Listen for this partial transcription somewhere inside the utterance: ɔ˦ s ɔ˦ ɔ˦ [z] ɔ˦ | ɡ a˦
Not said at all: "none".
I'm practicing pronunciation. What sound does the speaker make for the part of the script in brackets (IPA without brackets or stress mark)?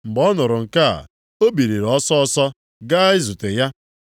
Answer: s